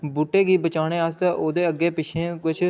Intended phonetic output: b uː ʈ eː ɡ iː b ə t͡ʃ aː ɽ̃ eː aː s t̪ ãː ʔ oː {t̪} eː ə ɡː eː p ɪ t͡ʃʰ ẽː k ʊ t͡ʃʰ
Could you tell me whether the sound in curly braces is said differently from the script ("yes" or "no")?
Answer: yes